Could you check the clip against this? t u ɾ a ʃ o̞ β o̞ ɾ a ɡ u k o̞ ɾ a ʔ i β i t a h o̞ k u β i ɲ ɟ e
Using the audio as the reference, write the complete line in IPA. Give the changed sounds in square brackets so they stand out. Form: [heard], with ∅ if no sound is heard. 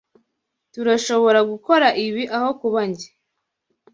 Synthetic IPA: t u ɾ a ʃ o̞ β o̞ ɾ a ɡ u k o̞ ɾ a ʔ i β i [ʔ] a h o̞ k u β [a] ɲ ɟ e